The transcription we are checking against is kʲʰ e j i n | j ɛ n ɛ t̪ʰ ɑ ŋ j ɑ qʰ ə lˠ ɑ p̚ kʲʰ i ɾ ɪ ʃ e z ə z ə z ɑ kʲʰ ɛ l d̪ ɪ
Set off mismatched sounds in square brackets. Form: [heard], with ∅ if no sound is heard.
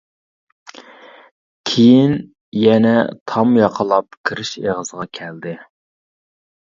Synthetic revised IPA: kʲʰ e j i n | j ɛ n ɛ t̪ʰ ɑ [m] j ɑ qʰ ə lˠ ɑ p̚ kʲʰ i ɾ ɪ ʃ e [ʁ] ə z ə [ʁ] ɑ kʲʰ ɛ l d̪ ɪ